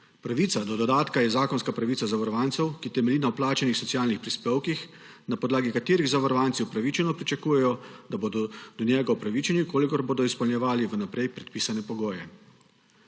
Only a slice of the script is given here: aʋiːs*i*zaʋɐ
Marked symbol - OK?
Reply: no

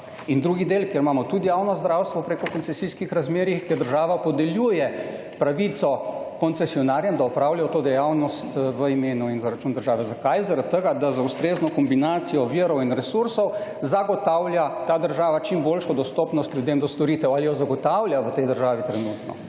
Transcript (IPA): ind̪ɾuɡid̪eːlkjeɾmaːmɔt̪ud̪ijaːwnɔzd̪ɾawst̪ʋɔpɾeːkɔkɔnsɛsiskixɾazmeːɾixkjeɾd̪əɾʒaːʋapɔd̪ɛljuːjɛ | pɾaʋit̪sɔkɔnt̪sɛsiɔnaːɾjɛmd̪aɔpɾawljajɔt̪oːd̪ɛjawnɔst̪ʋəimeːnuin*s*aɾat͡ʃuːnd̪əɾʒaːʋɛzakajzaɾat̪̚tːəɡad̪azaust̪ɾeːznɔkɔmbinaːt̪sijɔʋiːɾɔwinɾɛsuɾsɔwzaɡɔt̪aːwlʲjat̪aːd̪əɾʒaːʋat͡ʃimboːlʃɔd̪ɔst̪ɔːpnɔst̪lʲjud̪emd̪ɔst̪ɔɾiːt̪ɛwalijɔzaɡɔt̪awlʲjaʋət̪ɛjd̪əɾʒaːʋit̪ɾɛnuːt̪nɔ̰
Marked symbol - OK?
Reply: no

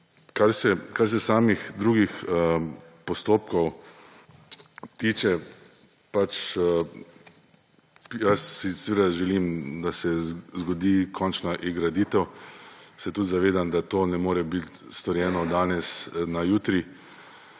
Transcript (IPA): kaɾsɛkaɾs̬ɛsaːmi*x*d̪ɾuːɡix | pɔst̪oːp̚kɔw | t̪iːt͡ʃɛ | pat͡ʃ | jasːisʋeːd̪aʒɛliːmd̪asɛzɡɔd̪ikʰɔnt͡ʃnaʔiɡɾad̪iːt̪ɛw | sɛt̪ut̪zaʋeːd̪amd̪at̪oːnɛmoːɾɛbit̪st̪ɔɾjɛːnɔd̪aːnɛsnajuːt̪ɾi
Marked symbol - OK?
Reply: yes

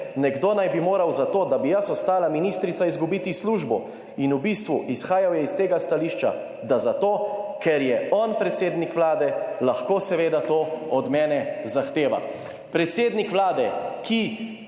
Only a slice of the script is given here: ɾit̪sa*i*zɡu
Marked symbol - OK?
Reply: yes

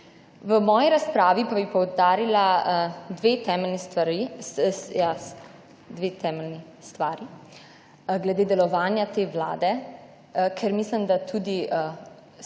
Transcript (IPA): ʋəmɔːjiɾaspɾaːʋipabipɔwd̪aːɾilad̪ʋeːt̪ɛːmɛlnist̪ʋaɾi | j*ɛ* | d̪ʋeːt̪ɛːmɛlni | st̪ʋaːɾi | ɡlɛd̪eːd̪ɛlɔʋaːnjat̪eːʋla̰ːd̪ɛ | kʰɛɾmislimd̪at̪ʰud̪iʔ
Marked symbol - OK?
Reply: no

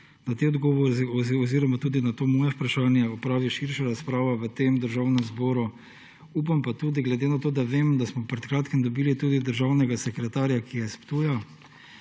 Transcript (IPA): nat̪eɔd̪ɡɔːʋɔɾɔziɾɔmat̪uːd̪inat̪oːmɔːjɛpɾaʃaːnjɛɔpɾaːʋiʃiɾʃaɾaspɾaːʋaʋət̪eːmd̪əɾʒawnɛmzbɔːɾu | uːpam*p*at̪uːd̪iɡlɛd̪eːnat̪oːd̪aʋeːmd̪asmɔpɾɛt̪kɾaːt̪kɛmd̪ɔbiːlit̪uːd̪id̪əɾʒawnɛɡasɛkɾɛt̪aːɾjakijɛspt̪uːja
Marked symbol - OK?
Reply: yes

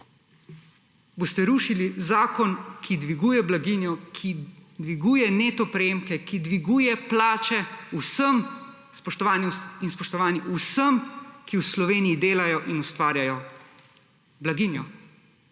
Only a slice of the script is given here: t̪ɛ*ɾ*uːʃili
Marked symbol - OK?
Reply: yes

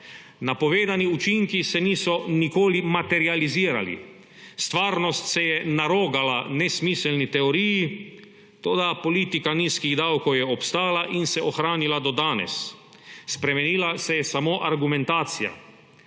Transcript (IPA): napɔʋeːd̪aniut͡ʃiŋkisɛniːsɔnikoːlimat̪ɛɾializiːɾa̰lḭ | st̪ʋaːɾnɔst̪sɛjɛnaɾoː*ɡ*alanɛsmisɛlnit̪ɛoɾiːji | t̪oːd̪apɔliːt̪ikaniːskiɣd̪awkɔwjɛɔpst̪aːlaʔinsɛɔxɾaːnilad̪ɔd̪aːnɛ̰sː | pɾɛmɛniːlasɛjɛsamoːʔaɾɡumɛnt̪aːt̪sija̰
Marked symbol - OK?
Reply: yes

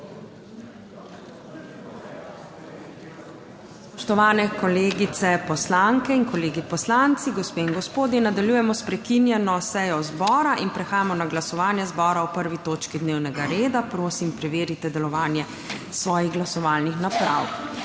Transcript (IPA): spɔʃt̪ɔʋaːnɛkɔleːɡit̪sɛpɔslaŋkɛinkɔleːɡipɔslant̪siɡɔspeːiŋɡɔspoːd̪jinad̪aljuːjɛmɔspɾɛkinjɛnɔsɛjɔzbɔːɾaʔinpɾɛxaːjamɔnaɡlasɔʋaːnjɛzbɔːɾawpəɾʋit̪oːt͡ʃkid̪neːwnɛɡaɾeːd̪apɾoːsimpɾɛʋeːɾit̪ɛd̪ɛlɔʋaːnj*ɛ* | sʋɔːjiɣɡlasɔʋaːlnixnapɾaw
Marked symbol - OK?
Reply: yes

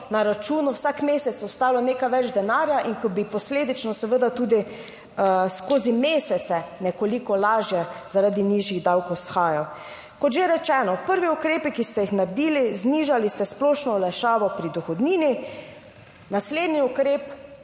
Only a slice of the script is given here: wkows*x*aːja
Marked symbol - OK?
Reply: yes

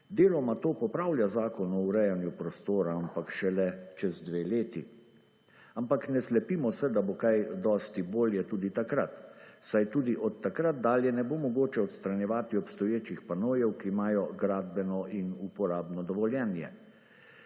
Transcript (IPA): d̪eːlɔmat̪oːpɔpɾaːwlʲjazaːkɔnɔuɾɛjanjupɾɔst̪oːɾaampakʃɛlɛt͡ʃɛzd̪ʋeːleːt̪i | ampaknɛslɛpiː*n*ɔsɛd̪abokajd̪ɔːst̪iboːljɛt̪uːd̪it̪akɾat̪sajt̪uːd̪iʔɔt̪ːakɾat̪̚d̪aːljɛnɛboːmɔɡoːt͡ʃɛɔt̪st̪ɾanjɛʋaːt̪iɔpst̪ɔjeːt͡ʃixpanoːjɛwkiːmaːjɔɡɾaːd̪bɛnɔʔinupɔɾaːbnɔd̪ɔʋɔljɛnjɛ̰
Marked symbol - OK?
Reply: no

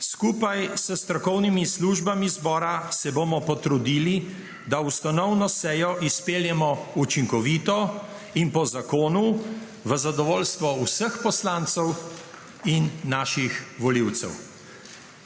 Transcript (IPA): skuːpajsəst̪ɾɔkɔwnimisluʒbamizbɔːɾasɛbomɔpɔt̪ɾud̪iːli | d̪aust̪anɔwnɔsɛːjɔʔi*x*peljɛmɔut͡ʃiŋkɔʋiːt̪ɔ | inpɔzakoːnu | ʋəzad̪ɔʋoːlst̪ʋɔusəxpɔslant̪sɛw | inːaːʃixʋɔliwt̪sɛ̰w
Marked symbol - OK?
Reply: no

